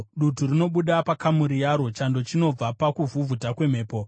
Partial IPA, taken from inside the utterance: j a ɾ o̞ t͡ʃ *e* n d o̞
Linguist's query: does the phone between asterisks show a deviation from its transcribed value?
yes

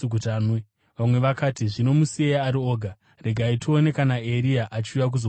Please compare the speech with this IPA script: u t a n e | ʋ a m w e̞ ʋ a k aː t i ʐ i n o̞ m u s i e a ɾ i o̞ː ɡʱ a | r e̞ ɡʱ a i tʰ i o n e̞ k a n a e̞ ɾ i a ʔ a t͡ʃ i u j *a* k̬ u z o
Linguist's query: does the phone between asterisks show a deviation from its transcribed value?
no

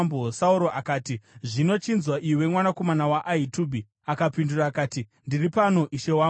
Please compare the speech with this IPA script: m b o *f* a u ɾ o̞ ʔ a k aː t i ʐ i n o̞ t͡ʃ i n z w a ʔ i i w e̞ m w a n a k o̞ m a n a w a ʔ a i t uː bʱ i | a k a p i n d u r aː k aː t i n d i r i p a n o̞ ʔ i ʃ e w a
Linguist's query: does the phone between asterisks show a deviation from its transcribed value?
yes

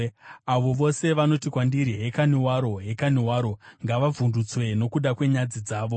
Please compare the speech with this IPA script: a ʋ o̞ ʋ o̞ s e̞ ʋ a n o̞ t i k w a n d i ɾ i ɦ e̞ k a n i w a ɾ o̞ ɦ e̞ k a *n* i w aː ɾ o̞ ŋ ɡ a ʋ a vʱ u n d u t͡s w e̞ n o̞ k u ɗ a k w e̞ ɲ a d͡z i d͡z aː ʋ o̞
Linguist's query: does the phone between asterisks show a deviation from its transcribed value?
no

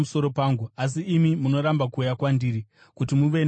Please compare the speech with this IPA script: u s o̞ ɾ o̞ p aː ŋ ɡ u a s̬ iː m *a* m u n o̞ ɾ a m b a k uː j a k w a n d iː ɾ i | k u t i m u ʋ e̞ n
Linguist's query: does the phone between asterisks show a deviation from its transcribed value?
yes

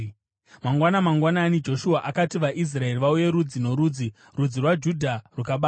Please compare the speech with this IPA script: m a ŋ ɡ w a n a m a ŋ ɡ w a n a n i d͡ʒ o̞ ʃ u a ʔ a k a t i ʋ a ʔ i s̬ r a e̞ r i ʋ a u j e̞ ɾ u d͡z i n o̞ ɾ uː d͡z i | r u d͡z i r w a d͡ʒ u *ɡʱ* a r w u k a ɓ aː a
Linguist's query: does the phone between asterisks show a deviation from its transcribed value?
yes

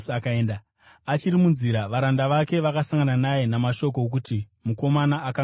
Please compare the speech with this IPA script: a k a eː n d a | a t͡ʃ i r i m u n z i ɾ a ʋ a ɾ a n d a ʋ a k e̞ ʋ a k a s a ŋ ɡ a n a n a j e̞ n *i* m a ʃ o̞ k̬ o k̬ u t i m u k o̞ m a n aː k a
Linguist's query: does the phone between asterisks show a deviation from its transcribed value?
yes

